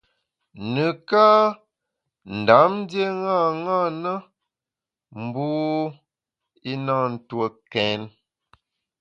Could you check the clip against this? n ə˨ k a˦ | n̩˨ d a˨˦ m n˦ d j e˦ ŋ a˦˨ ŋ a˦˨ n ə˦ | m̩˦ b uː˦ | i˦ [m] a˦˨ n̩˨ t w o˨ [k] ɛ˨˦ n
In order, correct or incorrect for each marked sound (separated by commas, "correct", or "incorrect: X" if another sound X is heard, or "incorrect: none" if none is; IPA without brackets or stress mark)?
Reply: incorrect: n, correct